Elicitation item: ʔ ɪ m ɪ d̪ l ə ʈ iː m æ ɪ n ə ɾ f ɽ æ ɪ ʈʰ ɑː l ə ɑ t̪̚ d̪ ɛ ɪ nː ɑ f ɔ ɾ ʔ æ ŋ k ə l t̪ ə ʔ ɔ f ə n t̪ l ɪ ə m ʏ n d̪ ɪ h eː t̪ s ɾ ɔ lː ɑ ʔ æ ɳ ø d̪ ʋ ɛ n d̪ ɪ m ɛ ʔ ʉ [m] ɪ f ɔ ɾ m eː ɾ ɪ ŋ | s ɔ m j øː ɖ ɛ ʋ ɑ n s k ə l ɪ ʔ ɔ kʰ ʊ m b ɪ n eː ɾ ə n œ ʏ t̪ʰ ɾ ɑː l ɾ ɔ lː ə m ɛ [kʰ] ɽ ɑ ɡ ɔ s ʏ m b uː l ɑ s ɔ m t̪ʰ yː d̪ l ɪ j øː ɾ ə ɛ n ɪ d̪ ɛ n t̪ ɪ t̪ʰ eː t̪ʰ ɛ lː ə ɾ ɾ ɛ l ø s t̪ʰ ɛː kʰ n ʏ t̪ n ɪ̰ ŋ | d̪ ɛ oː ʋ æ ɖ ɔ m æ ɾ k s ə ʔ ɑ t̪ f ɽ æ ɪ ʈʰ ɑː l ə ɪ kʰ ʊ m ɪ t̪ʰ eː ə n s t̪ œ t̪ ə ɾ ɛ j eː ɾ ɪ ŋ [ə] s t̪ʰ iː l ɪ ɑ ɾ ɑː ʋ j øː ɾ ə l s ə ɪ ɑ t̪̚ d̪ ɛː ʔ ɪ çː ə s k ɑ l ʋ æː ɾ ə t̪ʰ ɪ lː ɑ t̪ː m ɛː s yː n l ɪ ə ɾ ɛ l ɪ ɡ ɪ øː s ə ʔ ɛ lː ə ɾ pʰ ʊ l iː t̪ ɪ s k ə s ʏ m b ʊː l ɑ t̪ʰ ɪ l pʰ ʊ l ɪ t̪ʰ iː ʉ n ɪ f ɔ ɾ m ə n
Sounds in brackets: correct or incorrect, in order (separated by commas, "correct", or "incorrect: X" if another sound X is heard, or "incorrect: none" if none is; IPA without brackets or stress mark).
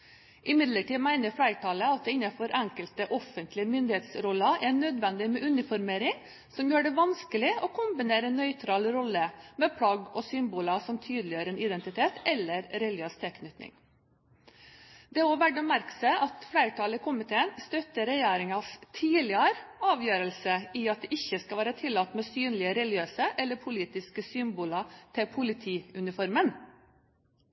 incorrect: n, incorrect: pʰ, incorrect: ɑ